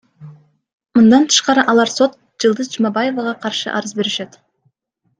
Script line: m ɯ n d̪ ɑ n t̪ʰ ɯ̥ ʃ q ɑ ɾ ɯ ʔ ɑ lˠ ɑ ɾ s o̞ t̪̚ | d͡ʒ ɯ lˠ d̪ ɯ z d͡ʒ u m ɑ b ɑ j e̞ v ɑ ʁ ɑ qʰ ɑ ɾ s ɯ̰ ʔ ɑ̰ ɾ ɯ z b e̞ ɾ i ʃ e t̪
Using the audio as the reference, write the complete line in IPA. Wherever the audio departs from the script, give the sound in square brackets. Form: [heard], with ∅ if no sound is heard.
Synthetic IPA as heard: m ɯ n d̪ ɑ n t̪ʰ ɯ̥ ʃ q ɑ ɾ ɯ ʔ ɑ lˠ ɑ ɾ s o̞ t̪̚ | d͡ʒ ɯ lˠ d̪ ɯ z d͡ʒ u m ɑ b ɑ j e̞ v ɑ ʁ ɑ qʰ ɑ ɾ [ʃ] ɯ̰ ʔ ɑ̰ ɾ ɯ z b e̞ ɾ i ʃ e t̪